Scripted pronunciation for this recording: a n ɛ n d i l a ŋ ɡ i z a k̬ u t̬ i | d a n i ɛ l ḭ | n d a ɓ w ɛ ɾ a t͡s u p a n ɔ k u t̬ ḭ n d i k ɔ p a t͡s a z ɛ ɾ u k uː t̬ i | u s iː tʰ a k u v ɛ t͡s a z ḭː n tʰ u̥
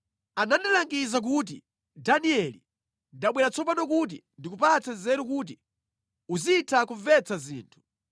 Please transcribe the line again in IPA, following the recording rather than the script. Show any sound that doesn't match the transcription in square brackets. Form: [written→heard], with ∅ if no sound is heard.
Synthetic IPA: a n [ɛ→a] n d i l a ŋ ɡ i z a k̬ u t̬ i | d a n i ɛ l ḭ | n d a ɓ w ɛ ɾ a t͡s [u→ɔ] p a n ɔ k u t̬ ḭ n d i k [ɔ→u] p a t͡s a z ɛ ɾ u k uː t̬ i | u [s→z] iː tʰ a k u v ɛ t͡s a z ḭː n tʰ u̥